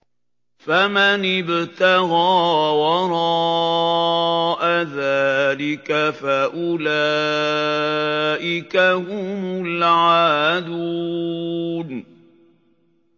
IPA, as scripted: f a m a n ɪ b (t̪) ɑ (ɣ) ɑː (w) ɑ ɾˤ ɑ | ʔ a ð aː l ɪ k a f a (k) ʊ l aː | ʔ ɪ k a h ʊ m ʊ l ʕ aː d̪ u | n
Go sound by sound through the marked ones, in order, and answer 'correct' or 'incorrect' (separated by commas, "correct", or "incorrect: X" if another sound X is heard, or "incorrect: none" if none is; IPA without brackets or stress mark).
correct, correct, correct, incorrect: ʔ